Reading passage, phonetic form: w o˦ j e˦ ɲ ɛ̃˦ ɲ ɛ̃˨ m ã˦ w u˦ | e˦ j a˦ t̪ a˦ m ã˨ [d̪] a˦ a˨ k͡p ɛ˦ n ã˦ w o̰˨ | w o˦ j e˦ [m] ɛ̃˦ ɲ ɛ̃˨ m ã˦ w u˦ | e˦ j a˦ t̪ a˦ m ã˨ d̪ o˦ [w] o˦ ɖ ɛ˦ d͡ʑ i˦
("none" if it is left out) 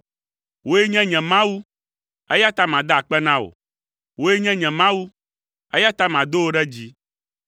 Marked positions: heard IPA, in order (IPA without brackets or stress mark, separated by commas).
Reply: d̪, ɲ, w